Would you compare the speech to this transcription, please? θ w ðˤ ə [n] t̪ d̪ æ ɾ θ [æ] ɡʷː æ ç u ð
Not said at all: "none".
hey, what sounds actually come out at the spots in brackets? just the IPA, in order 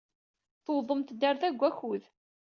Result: m, æ

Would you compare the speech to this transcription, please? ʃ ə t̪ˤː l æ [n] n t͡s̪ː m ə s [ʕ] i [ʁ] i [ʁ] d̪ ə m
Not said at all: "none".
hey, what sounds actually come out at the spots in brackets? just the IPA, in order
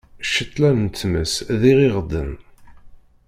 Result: n, ð, ʁ, ʁ

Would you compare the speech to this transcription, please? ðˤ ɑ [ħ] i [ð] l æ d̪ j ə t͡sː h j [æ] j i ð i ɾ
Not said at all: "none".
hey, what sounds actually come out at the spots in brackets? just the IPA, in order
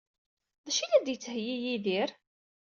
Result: ʃ, none, i

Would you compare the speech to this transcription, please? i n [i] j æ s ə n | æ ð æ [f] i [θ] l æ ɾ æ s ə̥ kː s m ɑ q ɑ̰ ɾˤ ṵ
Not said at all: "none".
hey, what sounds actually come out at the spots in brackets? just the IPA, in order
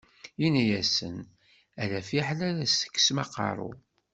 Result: æ, f, ħ

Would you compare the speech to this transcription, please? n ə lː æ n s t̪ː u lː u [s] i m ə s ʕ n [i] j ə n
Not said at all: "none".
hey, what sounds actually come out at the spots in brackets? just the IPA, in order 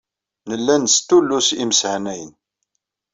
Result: s, æ

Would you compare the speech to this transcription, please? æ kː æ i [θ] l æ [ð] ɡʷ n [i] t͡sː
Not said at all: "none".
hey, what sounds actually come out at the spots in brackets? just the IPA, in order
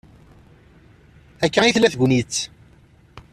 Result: θ, θ, i

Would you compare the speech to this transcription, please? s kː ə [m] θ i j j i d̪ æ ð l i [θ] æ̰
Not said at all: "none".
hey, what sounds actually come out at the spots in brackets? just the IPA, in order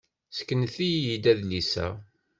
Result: n, s

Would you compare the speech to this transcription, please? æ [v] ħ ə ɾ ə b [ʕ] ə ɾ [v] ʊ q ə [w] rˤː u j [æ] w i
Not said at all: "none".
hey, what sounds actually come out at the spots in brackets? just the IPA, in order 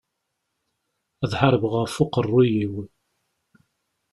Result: ð, ʁ, f, none, i

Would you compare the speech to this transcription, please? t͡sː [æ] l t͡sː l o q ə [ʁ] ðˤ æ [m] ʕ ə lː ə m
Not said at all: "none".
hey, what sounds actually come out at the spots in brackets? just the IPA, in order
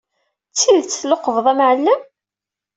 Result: i, v, m

